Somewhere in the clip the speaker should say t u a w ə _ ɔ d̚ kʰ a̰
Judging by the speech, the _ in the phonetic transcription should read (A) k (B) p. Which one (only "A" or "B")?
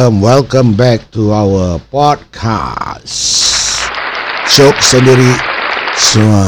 B